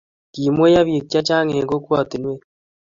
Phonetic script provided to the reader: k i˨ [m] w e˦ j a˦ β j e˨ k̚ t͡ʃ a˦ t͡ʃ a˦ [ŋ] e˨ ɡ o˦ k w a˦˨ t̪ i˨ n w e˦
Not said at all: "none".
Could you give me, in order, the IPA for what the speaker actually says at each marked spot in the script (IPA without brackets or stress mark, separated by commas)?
m, ŋ